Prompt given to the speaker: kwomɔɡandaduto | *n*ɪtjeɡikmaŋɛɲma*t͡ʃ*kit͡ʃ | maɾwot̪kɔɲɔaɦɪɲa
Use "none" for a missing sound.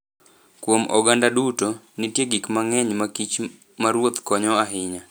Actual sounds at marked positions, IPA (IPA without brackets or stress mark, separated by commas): n, none